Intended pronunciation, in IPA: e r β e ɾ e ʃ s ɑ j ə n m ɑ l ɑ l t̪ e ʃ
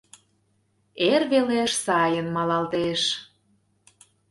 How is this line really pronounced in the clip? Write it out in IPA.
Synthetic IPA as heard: e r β e l e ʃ s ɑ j ə n m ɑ l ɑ l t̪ e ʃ